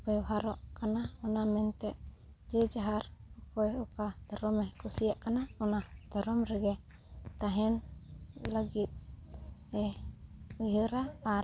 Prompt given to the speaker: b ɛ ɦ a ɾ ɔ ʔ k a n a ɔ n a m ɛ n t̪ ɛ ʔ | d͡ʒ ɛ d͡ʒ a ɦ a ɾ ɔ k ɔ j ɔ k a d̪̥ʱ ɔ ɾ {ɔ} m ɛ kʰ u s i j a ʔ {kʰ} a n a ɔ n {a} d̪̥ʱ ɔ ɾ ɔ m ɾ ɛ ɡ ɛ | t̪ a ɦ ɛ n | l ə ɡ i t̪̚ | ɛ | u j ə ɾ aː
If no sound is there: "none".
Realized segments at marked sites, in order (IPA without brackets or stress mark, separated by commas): ɔ, k, a